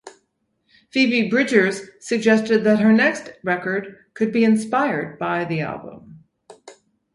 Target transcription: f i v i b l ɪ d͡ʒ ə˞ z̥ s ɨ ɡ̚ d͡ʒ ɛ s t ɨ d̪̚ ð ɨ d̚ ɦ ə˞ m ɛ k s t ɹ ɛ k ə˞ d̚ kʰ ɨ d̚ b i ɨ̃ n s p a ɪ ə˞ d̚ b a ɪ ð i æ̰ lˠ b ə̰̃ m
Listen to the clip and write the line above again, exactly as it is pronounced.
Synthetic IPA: f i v i b ɹ ɪ d͡ʒ ə˞ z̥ s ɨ ɡ̚ d͡ʒ ɛ s t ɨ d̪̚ ð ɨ t̚ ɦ ə˞ n ɛ k s t ɹ ɛ k ə˞ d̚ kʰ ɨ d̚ b i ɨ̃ n s p a ɪ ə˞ d̚ b a ɪ ð i æ̰ lˠ b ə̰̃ m

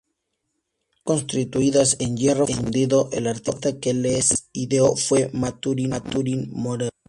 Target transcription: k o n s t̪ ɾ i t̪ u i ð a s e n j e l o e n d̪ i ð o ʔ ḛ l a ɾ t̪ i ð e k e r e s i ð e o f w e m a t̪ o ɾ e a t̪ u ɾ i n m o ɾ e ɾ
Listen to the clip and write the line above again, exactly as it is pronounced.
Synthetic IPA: k o n s t̪ ɾ i t̪ u i ð a s e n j e r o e n d̪ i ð o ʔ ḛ l a ɾ t̪ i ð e k e l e s i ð e o f w e m a t̪ u ɾ i a t̪ u ɾ i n m o ɾ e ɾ

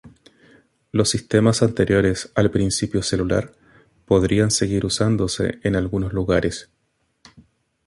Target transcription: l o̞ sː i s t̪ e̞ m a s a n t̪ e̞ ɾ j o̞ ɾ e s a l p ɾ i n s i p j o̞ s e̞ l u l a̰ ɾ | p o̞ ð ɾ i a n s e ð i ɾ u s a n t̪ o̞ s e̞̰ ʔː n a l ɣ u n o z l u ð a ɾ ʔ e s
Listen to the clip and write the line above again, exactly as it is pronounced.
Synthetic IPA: l o̞ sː i s t̪ e̞ m a s a n t̪ e̞ ɾ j o̞ ɾ e s a l p ɾ i n s i p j o̞ s e̞ l u l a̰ ɾ | p o̞ ð ɾ i a n s e ɣ i ɾ u s a n d̪ o̞ s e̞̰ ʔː n a l ɣ u n o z l u ɣ a ɾ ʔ e s

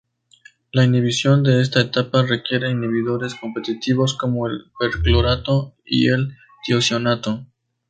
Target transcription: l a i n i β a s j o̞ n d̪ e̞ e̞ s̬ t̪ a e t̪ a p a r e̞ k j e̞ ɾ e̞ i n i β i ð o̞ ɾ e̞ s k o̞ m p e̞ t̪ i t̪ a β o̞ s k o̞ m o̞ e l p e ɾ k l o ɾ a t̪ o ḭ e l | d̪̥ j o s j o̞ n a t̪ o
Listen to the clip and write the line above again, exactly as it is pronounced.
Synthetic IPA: l a i n i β i s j o̞ n d̪ e̞ e̞ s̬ t̪ a e t̪ a p a r e̞ k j e̞ ɾ e̞ i n i β i ð o̞ ɾ e̞ s k o̞ m p e̞ t̪ i t̪ i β o̞ s k o̞ m o̞ e l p e ɾ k l o ɾ a t̪ o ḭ e l | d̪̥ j o s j o̞ n a t̪ o

